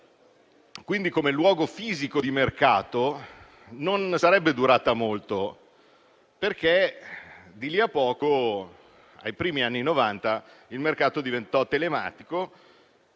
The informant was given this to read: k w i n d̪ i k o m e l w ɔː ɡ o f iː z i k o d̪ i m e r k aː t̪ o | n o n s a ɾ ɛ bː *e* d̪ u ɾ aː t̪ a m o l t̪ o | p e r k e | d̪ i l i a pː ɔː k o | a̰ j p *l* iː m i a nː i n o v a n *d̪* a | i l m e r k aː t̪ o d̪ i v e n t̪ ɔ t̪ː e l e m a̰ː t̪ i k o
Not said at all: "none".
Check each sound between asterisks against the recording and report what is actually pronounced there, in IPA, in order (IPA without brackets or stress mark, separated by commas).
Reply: e, ɾ, t̪